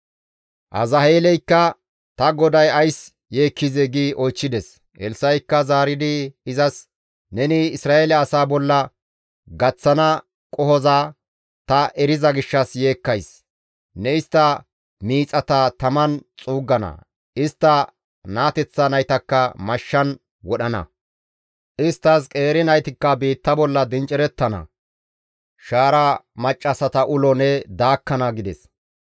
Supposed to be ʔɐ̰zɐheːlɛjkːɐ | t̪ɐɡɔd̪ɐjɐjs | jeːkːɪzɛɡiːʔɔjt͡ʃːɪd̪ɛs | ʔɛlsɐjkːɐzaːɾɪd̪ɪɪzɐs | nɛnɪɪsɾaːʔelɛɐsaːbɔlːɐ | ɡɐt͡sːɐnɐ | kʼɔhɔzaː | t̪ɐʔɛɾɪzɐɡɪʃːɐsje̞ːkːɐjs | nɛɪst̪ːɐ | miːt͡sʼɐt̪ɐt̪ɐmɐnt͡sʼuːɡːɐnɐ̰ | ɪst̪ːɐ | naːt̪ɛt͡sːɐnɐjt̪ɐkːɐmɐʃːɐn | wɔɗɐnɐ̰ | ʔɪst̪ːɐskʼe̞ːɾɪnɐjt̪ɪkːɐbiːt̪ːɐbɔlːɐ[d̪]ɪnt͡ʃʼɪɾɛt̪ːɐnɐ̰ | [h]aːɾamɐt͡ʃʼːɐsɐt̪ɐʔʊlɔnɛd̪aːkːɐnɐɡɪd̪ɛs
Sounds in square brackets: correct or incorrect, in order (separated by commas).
correct, incorrect